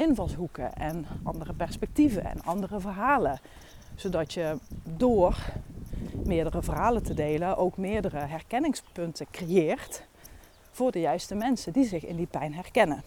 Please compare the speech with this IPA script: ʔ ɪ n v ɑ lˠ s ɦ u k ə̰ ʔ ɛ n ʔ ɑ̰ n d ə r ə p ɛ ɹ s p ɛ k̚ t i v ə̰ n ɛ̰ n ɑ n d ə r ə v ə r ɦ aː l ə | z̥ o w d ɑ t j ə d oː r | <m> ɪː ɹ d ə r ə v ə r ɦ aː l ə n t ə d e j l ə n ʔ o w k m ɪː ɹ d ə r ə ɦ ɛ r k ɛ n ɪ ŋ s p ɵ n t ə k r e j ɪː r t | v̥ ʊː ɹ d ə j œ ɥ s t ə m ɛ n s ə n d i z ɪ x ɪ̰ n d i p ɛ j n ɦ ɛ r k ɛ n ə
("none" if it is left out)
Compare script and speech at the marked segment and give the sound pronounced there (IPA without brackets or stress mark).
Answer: m